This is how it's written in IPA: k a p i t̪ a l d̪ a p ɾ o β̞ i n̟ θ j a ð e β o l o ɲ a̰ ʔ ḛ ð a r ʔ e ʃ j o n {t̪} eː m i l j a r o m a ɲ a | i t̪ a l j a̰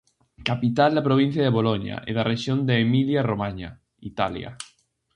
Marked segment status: incorrect: d̪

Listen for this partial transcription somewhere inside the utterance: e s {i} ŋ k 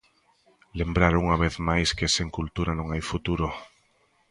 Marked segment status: incorrect: e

